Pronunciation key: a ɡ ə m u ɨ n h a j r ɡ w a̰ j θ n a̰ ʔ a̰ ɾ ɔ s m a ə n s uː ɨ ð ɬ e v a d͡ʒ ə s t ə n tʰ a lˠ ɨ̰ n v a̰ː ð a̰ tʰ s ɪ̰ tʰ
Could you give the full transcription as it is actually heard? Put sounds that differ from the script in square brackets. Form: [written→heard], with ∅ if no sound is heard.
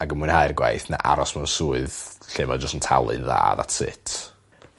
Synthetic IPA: a ɡ ə m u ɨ n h a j r ɡ w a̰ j θ n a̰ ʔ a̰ ɾ ɔ s m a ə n s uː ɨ ð ɬ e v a d͡ʒ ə s t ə n tʰ a lˠ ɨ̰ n [v→ð] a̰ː ð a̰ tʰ s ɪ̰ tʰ